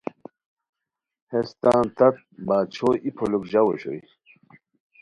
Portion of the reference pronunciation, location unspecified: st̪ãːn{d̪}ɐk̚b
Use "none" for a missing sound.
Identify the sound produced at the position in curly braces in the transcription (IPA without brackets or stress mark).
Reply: t̪